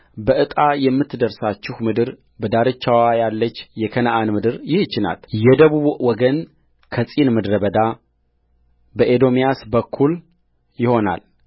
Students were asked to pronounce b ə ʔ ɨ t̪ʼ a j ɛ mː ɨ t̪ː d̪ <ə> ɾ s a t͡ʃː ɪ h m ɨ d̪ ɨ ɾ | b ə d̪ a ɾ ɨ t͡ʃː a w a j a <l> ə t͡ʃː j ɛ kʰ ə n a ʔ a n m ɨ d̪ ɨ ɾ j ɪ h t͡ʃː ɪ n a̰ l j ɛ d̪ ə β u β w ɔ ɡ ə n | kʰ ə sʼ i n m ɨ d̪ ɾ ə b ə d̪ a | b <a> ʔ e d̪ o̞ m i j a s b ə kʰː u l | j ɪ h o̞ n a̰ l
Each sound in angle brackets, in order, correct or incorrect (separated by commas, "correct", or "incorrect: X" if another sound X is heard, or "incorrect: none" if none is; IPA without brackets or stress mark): correct, incorrect: lː, incorrect: ə